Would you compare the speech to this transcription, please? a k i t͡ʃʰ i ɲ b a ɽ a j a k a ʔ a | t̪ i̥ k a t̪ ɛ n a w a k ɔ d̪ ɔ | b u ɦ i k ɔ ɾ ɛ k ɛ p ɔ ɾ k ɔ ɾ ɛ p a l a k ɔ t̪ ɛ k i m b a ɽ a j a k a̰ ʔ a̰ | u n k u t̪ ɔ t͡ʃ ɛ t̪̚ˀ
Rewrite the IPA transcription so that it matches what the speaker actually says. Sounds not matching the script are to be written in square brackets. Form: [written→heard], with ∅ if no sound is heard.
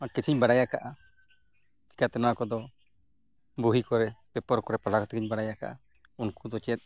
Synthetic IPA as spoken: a k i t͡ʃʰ i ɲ b a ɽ a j a k a ʔ a | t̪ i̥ k a t̪ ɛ n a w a k ɔ d̪ ɔ | b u ɦ i k ɔ ɾ ɛ [k→p] ɛ p ɔ ɾ k ɔ ɾ ɛ p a l a k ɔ t̪ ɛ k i [m→ɲ] b a ɽ a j a k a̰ ʔ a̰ | u n k u [t̪→d̪] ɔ t͡ʃ ɛ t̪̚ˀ